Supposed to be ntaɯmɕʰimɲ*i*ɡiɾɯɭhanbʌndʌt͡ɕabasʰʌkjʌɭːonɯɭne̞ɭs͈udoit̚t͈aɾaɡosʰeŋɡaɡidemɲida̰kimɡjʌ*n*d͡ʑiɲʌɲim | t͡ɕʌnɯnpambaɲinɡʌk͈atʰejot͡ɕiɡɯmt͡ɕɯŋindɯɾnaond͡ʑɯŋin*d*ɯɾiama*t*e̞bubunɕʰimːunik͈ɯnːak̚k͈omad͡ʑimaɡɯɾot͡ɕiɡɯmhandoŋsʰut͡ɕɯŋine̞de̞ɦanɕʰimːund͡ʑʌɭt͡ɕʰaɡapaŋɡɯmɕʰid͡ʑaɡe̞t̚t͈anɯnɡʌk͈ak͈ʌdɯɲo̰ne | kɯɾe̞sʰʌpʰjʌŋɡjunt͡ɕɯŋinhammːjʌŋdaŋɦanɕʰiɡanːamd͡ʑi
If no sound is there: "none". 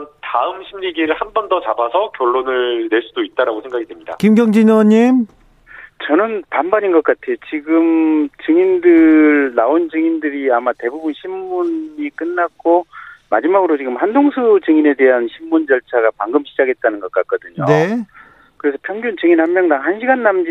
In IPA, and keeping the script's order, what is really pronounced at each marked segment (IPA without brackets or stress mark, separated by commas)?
i, ŋ, d, t